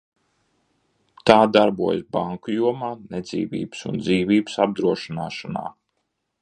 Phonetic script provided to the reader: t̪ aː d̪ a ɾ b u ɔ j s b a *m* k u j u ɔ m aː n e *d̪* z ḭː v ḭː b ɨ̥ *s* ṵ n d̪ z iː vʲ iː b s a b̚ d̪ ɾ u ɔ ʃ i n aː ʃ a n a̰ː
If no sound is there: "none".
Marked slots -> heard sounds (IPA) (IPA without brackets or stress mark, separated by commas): ŋ, d̪, s